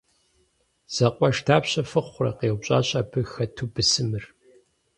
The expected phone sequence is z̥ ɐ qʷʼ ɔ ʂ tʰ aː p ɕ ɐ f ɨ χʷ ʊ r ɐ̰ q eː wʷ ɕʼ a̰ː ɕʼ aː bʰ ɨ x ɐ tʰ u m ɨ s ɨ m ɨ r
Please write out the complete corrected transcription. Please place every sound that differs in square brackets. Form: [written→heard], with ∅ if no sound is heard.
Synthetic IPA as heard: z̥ ɐ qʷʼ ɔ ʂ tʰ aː p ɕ ɐ f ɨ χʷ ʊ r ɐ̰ q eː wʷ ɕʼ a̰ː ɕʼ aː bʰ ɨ x ɐ tʰ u [m→b] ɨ s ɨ m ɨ r